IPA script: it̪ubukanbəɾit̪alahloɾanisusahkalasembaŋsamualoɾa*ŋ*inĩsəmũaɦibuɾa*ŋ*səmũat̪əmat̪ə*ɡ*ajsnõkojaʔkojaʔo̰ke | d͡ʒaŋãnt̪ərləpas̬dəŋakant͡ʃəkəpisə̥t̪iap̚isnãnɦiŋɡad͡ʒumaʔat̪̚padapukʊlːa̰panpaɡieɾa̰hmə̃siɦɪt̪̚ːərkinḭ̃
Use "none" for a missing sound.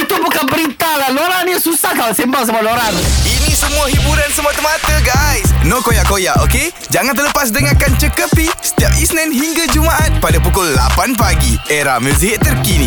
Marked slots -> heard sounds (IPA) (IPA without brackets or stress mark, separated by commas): n, n, ɡ